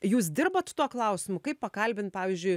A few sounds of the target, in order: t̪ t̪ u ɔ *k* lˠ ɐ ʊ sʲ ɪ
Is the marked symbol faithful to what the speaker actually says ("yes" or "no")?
yes